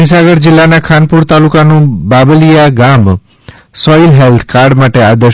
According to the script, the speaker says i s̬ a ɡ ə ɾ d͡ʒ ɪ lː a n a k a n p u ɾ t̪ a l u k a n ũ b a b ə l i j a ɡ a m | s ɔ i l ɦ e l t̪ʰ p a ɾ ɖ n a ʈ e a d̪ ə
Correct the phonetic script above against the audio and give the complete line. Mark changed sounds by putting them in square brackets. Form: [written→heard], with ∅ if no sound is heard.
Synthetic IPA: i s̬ a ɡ ə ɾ d͡ʒ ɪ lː a n a [k→kʰ] a n p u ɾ t̪ a l u k a n ũ b a b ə l i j a ɡ a m | s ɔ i l ɦ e l t̪ʰ [p→k] a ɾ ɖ [n→m] a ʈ e a d̪ ə